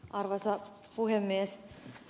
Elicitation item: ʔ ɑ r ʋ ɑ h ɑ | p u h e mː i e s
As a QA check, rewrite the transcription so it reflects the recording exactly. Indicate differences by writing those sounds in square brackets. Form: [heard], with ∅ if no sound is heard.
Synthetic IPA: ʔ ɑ r ʋ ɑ [s] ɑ | p u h e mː i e s